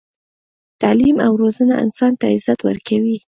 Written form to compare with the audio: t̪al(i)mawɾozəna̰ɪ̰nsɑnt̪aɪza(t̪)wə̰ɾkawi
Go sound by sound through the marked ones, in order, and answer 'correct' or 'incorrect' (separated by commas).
correct, correct